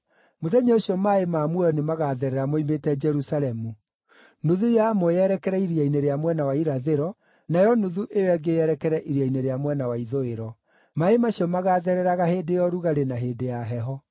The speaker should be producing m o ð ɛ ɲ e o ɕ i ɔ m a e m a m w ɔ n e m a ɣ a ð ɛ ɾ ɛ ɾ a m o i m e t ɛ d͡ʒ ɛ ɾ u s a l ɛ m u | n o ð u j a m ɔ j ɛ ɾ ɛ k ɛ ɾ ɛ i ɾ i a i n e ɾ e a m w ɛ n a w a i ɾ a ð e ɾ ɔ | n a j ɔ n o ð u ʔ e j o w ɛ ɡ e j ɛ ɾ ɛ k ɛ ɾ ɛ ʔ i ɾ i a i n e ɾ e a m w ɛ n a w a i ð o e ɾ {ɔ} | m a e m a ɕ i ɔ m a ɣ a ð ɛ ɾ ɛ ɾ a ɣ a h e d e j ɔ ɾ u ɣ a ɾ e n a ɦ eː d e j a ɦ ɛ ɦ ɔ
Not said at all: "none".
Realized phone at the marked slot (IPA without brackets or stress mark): ɔ